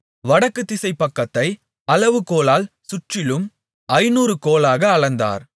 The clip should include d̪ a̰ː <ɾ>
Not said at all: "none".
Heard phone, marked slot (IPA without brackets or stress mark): ɾ